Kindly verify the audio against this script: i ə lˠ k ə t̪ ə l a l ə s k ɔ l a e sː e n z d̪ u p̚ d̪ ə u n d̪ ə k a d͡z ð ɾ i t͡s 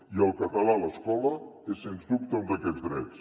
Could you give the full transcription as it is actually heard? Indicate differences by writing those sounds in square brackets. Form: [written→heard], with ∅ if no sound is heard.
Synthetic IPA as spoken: i ə lˠ k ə t̪ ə l a l ə s k ɔ l [a→ə] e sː e n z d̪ u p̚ [d̪→t̪] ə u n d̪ ə k [a→ɛ] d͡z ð ɾ [i→ɛ] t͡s

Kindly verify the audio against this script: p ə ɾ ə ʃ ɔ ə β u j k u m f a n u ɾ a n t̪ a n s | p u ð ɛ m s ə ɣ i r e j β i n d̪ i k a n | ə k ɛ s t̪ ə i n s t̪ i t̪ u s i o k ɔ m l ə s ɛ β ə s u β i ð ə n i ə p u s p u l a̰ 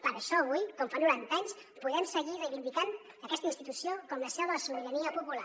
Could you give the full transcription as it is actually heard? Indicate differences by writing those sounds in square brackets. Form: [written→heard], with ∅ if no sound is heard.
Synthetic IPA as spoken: p ə ɾ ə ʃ ɔ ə β u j k [u→ɔ] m f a n u ɾ a n t̪ a [n→ɲ] s | p u ð ɛ m s ə ɣ i r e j β i n d̪ i k a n | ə k ɛ s t̪ ə i n s t̪ i t̪ u s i o k ɔ m l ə s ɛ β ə s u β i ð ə n i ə p u [s→∅] p u l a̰

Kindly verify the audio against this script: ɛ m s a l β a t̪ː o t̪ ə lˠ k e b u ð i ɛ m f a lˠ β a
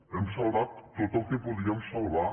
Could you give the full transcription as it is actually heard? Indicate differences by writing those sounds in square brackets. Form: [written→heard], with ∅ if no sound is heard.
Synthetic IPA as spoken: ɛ m s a l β a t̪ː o t̪ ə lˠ k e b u ð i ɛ m [f→s] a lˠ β a

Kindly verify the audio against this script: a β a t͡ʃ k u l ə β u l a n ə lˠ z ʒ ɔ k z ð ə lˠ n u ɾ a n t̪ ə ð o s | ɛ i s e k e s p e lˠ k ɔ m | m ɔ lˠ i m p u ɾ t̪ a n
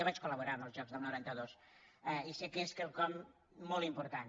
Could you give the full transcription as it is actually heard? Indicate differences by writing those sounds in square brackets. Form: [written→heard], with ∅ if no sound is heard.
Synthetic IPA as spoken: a β a t͡ʃ k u l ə β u [l→ɾ] a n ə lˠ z ʒ ɔ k z ð ə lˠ n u ɾ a n t̪ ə ð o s | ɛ i s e k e s [p→k] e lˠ k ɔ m | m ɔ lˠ i m p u ɾ t̪ a n

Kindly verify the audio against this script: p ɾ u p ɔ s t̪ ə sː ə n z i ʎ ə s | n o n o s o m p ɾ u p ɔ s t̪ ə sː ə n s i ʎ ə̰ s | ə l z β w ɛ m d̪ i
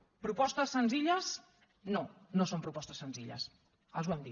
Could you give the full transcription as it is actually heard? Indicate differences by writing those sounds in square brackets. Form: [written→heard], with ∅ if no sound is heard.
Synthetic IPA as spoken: p ɾ u p ɔ s t̪ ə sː ə n z i ʎ ə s | n o n o s o m p ɾ u p ɔ s t̪ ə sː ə n [s→z] i ʎ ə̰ s | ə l z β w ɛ m d̪ i

